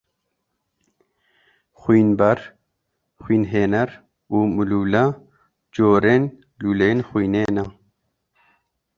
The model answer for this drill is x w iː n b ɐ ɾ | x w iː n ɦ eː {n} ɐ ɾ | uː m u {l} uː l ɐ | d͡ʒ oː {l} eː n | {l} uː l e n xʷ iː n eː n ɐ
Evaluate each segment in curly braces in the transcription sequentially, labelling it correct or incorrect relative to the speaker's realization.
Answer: correct, correct, incorrect, correct

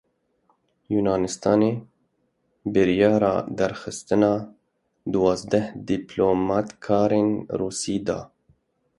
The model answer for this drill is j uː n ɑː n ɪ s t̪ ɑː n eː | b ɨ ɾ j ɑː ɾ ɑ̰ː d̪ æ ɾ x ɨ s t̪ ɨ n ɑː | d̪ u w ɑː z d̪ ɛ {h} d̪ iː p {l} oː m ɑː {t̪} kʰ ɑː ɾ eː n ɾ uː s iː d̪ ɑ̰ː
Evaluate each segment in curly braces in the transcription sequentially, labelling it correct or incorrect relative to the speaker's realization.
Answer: correct, correct, correct

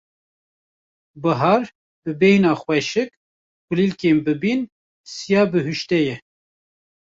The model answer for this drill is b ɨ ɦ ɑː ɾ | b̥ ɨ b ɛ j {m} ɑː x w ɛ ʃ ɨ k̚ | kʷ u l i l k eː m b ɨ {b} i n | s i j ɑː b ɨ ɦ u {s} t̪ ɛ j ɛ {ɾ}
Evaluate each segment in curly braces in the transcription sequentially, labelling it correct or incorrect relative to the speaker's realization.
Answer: incorrect, correct, incorrect, incorrect

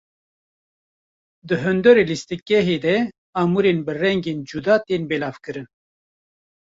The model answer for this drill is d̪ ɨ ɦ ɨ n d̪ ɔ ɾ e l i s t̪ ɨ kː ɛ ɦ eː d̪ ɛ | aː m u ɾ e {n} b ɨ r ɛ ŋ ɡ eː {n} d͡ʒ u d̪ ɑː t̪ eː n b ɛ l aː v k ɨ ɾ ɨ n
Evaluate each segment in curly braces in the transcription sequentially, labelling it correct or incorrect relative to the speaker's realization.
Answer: correct, correct

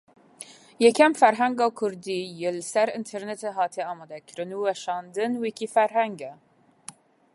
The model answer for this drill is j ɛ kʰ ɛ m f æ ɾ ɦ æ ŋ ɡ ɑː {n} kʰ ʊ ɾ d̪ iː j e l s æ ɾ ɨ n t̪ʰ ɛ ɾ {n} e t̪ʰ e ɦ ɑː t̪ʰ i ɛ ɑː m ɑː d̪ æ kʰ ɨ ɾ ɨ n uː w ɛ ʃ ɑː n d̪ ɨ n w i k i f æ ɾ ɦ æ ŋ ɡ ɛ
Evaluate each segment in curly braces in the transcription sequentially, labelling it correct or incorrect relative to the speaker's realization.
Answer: incorrect, correct

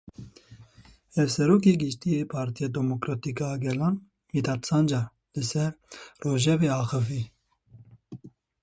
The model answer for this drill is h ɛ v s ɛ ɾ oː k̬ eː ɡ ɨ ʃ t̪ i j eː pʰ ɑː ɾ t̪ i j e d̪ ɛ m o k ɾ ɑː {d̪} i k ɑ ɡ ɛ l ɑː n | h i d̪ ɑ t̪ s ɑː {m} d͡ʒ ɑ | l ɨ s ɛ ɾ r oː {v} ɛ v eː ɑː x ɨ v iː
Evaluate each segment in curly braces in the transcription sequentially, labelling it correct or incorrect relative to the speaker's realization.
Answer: incorrect, incorrect, incorrect

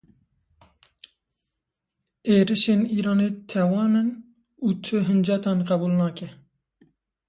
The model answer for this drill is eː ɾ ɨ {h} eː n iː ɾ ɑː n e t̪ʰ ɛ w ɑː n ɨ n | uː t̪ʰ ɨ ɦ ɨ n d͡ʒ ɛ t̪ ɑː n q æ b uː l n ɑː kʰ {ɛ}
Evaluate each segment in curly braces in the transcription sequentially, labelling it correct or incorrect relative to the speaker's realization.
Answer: incorrect, correct

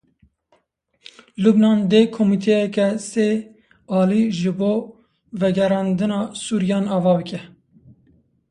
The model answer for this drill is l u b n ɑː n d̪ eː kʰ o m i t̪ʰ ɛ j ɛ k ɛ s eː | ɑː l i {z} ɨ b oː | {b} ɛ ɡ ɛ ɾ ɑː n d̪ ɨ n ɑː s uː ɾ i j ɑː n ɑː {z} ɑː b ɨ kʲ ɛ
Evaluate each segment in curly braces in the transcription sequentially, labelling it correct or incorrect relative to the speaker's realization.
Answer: incorrect, incorrect, incorrect

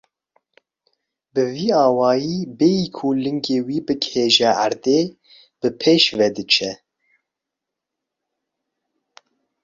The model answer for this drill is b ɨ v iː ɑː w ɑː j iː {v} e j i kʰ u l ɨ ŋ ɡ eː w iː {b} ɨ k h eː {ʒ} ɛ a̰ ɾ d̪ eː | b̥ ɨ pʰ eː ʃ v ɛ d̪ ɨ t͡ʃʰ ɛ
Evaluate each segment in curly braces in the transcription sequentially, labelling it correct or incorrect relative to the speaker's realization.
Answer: incorrect, correct, correct

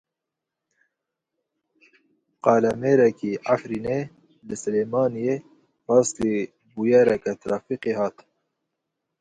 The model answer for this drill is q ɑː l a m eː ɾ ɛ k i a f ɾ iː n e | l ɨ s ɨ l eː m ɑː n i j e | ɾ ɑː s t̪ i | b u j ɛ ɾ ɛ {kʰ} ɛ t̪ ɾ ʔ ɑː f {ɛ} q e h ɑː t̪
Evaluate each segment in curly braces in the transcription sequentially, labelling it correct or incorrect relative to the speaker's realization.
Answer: incorrect, incorrect

